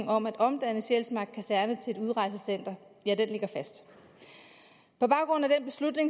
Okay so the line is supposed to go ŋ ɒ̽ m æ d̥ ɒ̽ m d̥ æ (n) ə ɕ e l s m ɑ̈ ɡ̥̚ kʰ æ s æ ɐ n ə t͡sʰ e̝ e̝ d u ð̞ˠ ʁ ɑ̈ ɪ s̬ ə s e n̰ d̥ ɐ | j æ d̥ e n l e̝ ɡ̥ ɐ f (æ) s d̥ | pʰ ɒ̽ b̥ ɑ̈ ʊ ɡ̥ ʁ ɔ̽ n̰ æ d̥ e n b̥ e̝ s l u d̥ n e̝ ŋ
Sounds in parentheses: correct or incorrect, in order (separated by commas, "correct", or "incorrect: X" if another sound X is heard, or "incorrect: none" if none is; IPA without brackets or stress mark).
correct, correct